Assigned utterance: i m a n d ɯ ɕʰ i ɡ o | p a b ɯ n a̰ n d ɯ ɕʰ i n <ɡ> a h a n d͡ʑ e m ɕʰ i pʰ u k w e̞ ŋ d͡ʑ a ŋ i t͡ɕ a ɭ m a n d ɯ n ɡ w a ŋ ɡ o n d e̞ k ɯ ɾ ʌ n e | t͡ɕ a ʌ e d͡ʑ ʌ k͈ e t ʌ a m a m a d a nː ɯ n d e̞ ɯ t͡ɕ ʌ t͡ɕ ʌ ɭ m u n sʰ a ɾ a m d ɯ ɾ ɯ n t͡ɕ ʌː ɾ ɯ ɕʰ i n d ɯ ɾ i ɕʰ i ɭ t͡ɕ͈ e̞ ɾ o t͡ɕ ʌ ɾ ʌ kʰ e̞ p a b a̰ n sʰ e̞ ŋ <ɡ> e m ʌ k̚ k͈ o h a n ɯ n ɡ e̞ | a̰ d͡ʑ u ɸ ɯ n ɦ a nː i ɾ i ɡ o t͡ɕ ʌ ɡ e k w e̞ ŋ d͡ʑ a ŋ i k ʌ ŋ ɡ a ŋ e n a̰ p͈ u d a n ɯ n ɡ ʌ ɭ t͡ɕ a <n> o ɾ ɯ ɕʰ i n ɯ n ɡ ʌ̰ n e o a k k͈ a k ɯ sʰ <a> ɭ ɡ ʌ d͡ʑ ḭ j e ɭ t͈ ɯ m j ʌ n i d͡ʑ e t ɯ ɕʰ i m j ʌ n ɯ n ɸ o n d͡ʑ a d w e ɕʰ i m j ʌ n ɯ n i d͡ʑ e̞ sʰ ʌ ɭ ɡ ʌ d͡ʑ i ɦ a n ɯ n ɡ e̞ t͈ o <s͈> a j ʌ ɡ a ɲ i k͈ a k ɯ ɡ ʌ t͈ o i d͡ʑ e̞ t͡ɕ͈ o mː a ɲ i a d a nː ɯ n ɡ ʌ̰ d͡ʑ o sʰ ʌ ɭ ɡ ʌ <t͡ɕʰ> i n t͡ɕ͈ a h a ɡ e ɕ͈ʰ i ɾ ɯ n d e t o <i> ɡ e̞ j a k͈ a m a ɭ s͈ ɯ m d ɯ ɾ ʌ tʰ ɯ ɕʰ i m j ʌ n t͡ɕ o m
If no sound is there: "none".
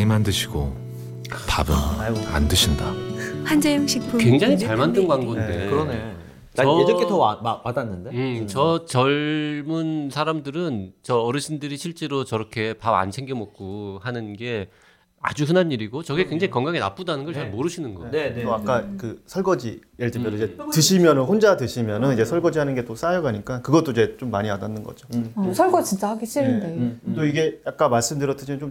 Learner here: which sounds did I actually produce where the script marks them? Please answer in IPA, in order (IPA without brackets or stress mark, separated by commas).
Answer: d, ɡ, m, ʌ, s͈, t͡ɕ, i